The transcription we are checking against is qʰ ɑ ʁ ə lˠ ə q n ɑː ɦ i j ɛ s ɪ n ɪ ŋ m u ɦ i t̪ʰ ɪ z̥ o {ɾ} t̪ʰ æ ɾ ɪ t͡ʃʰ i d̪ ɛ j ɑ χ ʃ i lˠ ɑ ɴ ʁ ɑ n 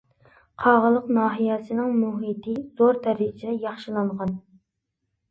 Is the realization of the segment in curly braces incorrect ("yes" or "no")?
no